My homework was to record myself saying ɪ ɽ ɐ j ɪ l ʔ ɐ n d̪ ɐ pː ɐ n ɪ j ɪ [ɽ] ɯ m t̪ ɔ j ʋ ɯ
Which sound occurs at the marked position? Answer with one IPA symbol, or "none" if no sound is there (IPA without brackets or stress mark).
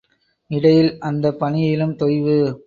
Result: l